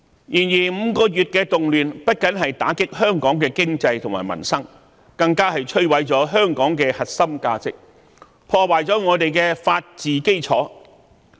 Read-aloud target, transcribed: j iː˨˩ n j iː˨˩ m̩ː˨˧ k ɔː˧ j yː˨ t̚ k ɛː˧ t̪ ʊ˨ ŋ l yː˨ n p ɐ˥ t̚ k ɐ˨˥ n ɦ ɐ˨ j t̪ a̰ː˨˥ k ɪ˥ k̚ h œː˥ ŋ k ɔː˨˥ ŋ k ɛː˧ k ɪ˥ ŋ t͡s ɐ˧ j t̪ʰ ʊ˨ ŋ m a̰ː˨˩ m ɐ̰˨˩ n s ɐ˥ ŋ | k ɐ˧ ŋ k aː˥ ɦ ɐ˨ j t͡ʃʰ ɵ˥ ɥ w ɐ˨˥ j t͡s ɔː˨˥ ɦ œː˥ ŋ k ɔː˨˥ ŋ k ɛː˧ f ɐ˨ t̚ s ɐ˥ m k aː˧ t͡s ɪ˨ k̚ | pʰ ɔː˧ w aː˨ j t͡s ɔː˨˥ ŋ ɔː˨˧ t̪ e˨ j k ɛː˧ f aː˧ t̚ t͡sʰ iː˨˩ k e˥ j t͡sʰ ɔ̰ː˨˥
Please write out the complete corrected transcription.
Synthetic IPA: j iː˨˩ n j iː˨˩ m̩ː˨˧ k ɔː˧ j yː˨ t̚ k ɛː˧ t̪ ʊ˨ ŋ l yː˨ n p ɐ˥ t̚ k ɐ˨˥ n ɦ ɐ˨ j t̪ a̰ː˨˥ k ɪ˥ k̚ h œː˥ ŋ k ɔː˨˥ ŋ k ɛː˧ k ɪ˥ ŋ t͡s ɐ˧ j t̪ʰ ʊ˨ ŋ m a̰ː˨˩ m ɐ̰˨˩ n s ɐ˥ ŋ | k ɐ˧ ŋ k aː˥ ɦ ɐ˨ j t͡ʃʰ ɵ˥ ɥ w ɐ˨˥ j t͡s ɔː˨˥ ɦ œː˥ ŋ k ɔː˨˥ ŋ k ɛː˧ h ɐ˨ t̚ s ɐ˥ m k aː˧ t͡s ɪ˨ k̚ | pʰ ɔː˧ w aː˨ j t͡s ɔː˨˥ ŋ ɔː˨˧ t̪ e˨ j k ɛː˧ f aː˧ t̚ t͡s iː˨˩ k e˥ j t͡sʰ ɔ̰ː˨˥